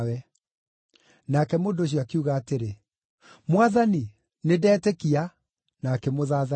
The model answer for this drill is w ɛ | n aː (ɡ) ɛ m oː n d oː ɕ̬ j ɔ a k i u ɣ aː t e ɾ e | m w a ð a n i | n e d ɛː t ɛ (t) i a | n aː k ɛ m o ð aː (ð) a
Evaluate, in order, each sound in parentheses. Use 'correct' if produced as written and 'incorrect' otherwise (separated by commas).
incorrect, incorrect, correct